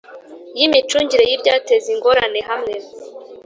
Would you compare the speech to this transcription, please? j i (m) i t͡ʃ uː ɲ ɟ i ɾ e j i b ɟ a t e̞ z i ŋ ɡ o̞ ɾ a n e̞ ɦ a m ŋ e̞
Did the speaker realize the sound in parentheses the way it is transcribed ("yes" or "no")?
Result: yes